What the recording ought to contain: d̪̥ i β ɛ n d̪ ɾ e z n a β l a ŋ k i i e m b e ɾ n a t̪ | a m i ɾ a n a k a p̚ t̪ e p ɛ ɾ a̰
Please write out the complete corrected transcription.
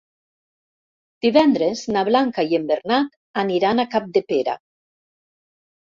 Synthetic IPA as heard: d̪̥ i β ɛ n d̪ ɾ e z n a β l a ŋ k a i e m b e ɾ n a t̪ | a n i ɾ a n a k a p̚ d̪ e p e ɾ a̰